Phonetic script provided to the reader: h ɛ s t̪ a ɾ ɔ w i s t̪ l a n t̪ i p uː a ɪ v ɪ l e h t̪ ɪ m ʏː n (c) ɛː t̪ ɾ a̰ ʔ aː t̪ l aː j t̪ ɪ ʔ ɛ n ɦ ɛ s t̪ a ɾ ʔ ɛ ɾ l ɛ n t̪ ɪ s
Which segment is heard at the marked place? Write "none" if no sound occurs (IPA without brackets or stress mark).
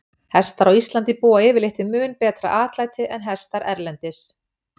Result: p